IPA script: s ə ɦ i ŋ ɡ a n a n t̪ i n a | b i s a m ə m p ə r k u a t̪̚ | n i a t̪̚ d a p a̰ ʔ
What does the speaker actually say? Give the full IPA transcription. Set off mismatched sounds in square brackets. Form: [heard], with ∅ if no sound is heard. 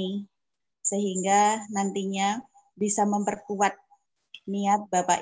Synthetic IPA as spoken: s ə ɦ i ŋ ɡ a n a n t̪ i [ɲ] a | b i s a m ə m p ə r k u a t̪̚ | n i a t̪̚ [b] a p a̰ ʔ